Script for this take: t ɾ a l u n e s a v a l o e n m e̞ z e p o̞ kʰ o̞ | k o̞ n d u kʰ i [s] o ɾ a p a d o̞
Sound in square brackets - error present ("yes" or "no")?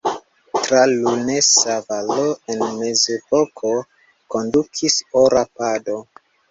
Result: no